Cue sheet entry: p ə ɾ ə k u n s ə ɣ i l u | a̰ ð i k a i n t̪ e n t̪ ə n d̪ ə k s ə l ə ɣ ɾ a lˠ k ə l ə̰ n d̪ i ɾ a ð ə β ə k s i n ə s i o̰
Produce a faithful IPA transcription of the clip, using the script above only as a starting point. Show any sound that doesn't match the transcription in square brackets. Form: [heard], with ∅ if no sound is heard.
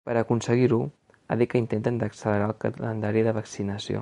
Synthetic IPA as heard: p ə ɾ ə k u n s ə ɣ i [ɾ] u | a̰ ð i k [ə] i n t̪ e n t̪ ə n d̪ ə k s ə l ə [∅] ɾ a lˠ k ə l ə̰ n d̪ [a] ɾ [i] ð ə β ə k s i n ə s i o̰